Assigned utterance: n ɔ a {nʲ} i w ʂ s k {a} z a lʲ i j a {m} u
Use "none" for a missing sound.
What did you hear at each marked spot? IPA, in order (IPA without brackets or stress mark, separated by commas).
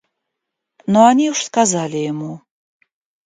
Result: nʲ, a, m